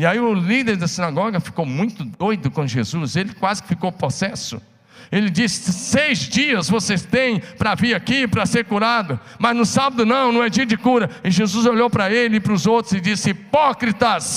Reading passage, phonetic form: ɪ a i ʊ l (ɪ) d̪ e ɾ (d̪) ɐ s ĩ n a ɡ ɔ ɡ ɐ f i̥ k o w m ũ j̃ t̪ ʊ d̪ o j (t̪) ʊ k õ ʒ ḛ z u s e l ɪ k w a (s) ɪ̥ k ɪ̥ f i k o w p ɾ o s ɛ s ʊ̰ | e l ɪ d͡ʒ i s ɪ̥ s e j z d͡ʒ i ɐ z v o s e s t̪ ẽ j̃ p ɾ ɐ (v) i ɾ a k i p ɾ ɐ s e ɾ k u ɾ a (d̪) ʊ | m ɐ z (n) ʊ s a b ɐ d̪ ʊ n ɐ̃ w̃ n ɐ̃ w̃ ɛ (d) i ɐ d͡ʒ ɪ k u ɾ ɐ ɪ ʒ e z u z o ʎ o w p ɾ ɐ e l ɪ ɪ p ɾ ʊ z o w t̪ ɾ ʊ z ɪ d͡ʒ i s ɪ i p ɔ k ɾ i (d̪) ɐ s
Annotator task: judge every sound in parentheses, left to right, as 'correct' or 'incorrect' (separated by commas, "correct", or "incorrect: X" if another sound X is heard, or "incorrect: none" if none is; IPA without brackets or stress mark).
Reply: incorrect: i, correct, incorrect: d̪, incorrect: z, correct, correct, correct, incorrect: d͡ʒ, incorrect: t̪